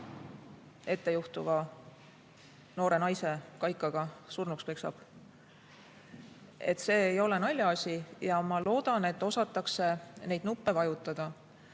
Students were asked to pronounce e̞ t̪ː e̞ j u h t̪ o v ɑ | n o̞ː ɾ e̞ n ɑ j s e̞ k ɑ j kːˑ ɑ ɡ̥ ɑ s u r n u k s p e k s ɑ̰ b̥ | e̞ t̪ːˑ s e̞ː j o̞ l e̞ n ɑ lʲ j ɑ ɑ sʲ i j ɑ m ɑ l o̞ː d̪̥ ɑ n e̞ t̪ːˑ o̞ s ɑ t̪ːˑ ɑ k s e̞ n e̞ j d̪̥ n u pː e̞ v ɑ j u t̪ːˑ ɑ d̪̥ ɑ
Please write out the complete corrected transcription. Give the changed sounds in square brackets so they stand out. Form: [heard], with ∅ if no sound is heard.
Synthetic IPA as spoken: e̞ t̪ː e̞ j u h t̪ [u] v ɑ | n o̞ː ɾ e̞ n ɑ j s e̞ k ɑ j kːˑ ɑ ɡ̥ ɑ s u r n u k s p e k s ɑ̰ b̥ | e̞ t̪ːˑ s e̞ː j o̞ l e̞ n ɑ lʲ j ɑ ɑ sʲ i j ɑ m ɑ l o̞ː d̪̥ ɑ n e̞ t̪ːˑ o̞ s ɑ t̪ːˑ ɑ k s e̞ n e̞ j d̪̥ n u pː e̞ v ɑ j u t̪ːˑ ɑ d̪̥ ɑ